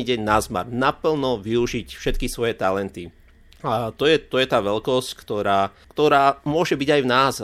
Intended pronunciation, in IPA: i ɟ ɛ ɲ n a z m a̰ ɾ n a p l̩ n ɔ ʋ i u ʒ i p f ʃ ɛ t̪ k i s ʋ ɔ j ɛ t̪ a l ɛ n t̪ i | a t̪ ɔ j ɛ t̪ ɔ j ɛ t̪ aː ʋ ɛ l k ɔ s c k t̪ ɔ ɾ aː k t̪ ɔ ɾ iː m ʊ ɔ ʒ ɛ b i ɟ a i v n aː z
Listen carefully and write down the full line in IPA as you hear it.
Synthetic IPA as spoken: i ɟ ɛ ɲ n a z m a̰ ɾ n a p l̩ n ɔ ʋ i u ʒ i c f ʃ ɛ t̪ k i s ʋ ɔ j ɛ t̪ a l ɛ n t̪ i | a t̪ ɔ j ɛ t̪ ɔ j ɛ t̪ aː ʋ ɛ l k ɔ s c k t̪ ɔ ɾ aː k t̪ ɔ ɾ aː m ʊ ɔ ʒ ɛ b i ɟ a j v n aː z